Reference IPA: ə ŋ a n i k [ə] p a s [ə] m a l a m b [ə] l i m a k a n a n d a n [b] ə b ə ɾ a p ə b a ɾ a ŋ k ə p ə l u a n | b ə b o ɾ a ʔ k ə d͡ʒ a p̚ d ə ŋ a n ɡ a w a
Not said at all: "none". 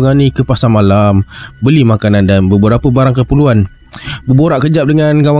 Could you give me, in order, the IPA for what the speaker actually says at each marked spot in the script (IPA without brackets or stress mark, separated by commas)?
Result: ə, a, ə, b